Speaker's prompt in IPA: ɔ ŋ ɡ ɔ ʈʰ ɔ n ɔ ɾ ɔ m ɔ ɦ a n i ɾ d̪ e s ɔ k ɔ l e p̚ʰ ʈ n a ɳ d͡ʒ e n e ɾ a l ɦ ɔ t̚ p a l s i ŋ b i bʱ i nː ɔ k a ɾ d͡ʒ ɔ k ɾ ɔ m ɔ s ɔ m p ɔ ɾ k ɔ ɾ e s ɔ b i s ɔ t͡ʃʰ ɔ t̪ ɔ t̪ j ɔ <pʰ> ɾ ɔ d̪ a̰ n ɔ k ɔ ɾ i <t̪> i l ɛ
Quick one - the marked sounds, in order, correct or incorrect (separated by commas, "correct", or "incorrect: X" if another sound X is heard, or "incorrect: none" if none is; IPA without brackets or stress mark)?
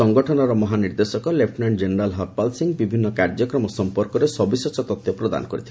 incorrect: p, incorrect: t̪ʰ